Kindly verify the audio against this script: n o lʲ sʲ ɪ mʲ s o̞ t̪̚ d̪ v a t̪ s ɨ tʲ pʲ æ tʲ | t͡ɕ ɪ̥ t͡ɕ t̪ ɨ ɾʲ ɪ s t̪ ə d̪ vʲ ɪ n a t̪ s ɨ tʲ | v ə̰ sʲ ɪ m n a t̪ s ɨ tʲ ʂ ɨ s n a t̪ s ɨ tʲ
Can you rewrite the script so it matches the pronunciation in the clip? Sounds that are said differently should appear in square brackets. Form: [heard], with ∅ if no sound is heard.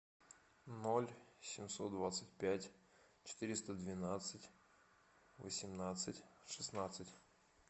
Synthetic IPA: n o lʲ sʲ ɪ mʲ s o̞ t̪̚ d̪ v a t̪ s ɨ tʲ pʲ æ tʲ | t͡ɕ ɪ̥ [∅] t̪ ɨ ɾʲ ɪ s t̪ ə d̪ vʲ ɪ n a t̪ s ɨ tʲ | v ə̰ sʲ ɪ m n a t̪ s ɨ tʲ ʂ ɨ s n a t̪ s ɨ tʲ